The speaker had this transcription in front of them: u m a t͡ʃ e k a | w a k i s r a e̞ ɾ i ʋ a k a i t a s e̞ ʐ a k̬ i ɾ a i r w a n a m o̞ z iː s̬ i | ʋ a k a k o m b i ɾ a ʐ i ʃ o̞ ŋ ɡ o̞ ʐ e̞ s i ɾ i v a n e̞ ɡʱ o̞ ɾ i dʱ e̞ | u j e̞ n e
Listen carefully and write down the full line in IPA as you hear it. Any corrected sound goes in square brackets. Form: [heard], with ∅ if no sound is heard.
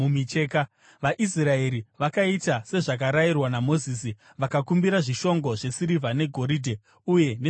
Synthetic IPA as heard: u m [i] t͡ʃ e k a | [ʋ] a [ʔ] i s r a e̞ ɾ i ʋ a k a i t a s e̞ ʐ a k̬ [a] ɾ a i r w a n a m o̞ z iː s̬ i | ʋ a k a k [u] m b i ɾ a ʐ i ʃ o̞ ŋ ɡ o̞ ʐ e̞ s i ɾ i v a n e̞ ɡʱ o̞ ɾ i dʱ e̞ | u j e̞ n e

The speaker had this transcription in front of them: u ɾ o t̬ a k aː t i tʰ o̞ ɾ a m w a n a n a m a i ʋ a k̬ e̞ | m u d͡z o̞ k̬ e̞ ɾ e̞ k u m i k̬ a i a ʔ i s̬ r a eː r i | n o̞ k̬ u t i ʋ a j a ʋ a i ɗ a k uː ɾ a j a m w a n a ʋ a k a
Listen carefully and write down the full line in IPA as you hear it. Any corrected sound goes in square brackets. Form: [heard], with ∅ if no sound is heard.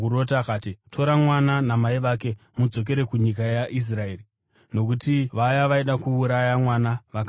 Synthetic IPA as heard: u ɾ o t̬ a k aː t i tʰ o̞ ɾ a m w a n a n a m a i ʋ a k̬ e̞ | m u d͡z o̞ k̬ e̞ ɾ e̞ k u [ɲ] i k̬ a [j] a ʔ i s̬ r a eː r i | n o̞ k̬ u t i ʋ a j a ʋ a i ɗ a k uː ɾ a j a m w a n a ʋ a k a

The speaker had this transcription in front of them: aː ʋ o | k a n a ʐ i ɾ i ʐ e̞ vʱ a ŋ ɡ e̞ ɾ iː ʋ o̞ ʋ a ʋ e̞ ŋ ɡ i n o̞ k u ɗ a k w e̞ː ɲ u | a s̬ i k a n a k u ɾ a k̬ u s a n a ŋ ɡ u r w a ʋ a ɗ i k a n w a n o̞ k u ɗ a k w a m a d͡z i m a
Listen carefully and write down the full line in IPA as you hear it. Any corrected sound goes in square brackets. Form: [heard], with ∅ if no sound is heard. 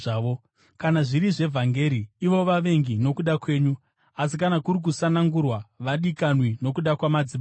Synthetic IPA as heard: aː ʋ o | k a n a ʐ i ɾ i ʐ e̞ vʱ a ŋ ɡ e̞ ɾ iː ʋ o̞ ʋ a ʋ e̞ ŋ ɡ i n o̞ k u ɗ a k w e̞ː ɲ u | a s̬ i k a n a k u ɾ [i] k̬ u s a n a ŋ ɡ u r w a ʋ a ɗ i k a n w [i] n o̞ k u ɗ a k w a m a d͡z i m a

